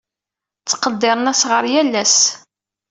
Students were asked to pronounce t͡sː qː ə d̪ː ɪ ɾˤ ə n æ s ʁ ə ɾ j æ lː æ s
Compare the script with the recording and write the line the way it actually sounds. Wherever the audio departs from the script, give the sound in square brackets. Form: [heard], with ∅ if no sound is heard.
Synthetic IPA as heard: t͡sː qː ə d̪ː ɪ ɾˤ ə n æ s ʁ ə ɾ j æ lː æ s